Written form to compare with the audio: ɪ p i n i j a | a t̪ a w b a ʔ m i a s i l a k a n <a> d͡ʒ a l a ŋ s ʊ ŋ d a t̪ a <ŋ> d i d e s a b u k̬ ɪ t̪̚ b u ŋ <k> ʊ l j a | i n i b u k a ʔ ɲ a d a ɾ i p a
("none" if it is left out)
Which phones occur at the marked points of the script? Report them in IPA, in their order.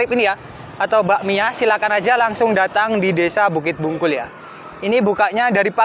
a, ŋ, k

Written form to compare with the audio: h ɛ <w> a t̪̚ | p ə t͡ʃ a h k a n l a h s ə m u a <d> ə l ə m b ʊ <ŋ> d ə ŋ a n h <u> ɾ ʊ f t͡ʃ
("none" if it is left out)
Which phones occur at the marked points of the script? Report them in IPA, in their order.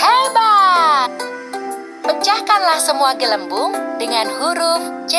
b, ɡ, ŋ, u

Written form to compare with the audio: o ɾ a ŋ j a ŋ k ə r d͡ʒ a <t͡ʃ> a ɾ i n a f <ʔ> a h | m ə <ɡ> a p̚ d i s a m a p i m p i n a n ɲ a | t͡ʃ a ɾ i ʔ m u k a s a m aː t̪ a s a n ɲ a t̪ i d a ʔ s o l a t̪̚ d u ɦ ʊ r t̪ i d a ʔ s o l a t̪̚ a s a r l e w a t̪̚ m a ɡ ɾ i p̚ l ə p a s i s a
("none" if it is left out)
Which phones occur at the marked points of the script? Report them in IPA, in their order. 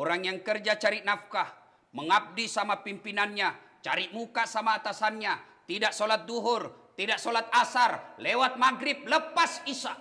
t͡ʃ, k, ŋ

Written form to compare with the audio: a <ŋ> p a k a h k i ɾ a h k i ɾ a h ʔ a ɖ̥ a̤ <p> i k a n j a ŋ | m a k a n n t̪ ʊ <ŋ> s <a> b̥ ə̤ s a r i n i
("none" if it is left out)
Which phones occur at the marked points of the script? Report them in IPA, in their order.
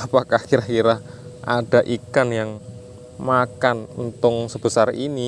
none, ʔ, ŋ, ə

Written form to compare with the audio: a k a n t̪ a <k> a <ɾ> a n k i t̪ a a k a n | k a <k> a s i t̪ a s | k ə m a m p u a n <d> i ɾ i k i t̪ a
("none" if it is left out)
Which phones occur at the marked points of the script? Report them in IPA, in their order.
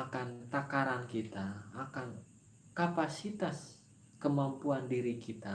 k, ɾ, p, d

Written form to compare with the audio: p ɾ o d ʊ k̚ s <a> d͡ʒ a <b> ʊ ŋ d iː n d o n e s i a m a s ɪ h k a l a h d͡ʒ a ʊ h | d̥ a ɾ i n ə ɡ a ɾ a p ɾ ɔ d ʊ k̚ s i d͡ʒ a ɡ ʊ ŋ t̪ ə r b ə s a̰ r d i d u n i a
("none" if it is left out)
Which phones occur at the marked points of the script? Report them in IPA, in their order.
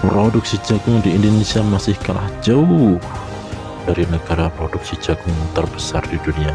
i, ɡ

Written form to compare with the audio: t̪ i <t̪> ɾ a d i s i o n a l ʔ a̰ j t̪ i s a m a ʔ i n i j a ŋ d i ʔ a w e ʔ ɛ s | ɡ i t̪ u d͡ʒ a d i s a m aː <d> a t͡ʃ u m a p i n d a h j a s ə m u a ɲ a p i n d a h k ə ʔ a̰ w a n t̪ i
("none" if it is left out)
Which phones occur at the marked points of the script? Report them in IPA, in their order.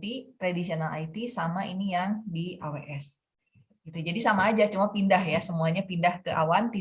t̪, d͡ʒ

